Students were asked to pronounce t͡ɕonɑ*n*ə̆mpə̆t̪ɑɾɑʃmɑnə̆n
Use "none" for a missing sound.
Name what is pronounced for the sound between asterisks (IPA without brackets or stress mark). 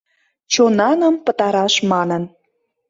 n